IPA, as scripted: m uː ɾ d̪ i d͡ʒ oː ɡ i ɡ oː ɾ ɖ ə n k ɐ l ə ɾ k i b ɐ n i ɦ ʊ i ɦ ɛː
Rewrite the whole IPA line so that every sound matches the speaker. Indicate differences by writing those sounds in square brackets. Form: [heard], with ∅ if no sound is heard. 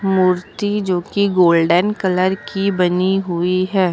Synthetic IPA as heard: m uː ɾ [t̪] i d͡ʒ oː [k] i ɡ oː [l] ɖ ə n k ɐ l ə ɾ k i b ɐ n i ɦ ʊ i ɦ ɛː

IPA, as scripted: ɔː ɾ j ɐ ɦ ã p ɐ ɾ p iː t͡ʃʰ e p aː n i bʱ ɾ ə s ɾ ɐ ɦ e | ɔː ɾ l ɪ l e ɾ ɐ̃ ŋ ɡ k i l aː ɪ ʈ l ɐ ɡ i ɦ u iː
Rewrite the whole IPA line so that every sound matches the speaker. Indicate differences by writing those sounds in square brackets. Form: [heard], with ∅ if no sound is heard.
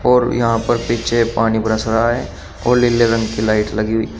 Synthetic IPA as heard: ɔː ɾ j ɐ ɦ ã p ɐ ɾ p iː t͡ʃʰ e p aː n i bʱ ɾ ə s ɾ [a] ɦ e | ɔː ɾ l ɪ l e ɾ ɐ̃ ŋ ɡ k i l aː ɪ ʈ l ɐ ɡ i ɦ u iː

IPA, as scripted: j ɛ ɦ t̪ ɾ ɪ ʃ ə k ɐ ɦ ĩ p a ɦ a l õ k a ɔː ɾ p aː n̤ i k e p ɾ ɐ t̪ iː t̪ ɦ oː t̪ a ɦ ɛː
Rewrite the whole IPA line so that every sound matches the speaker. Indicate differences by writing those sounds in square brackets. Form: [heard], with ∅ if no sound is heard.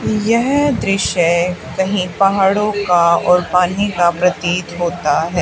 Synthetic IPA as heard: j ɛ ɦ [d̪] ɾ ɪ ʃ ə k ɐ ɦ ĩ p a ɦ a [ɽ] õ k a ɔː ɾ p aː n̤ i k [a] p ɾ ɐ t̪ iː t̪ ɦ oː t̪ a ɦ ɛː

